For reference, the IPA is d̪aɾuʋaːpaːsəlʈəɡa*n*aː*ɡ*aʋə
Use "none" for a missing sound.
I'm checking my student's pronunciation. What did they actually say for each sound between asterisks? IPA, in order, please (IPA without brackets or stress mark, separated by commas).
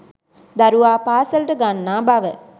nː, b